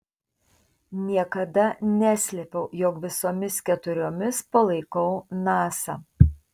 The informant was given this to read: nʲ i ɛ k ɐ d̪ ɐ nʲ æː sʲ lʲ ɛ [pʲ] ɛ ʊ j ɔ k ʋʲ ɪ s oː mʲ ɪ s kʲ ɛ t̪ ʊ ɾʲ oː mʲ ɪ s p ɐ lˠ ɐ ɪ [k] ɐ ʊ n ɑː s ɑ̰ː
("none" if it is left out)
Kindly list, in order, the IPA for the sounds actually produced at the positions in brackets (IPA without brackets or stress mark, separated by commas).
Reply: pʲ, k